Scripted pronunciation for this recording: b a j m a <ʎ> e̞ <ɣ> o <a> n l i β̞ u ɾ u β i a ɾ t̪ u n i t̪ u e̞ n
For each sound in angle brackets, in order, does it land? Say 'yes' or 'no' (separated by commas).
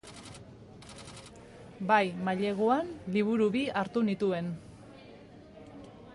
yes, yes, yes